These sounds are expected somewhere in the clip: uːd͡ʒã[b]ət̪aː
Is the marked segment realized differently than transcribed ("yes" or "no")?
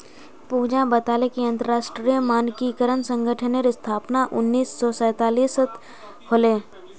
no